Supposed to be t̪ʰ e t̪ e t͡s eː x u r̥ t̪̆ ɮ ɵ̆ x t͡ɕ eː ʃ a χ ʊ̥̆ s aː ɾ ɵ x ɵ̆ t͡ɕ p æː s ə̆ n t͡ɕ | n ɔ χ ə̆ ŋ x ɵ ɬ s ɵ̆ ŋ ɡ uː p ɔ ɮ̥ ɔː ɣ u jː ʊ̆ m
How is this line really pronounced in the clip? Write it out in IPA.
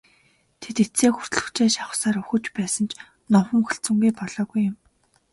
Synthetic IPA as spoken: t̪ʰ e t̪ e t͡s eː x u r̥ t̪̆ ɮ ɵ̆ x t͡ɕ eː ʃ a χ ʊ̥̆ s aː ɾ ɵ x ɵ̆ t͡ɕ p æː s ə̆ n t͡ɕ | n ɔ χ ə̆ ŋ x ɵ ɬ t͡s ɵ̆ ŋ ɡ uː p ɔ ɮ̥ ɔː ɣ u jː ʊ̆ m